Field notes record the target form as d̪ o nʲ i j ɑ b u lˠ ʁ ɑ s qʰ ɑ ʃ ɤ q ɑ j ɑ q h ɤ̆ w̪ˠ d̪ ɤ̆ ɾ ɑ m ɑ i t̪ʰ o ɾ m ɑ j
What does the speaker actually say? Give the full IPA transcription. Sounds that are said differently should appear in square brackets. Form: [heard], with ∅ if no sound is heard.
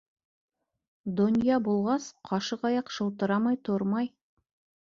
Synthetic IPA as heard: d̪ o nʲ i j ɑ b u lˠ ʁ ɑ s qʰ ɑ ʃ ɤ q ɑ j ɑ q [ʃ] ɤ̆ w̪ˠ [t̪] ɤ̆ ɾ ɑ m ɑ [j] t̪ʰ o ɾ m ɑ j